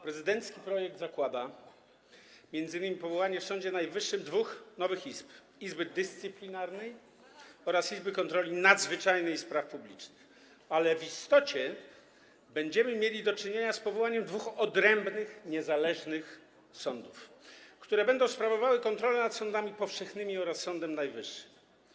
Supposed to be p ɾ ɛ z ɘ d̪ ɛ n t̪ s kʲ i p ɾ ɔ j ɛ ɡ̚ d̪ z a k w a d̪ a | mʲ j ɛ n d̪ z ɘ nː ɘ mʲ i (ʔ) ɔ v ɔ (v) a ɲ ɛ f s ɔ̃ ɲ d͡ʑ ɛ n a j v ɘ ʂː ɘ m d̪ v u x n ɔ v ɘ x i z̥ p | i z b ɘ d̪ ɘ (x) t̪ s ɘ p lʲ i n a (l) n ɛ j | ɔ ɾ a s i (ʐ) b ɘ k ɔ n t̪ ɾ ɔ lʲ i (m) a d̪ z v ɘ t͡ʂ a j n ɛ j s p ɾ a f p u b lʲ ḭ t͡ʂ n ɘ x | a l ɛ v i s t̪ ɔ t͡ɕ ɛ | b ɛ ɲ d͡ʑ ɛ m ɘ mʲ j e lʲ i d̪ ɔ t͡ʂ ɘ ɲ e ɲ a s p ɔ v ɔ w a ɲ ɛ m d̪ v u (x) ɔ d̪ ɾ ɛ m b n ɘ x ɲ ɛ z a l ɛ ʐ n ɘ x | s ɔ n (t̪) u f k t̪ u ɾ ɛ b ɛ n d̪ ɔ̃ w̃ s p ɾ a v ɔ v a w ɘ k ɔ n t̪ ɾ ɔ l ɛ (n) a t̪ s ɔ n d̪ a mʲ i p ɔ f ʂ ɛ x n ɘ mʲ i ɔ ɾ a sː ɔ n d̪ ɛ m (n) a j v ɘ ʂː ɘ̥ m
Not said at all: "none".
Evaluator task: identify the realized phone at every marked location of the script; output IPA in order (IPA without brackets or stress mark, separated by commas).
p, w, s, ɾ, z, n, x, d̪, n, n